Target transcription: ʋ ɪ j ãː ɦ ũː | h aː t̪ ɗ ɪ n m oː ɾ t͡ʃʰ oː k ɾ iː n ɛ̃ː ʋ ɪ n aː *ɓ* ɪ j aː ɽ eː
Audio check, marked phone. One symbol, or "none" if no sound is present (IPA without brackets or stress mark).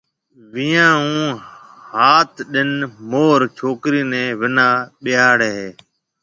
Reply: ɓ